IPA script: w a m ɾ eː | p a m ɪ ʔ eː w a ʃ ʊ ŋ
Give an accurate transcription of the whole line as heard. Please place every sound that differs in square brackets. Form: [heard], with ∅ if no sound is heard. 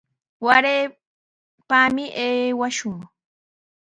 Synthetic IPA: w a [∅] ɾ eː | p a m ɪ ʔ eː w a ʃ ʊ ŋ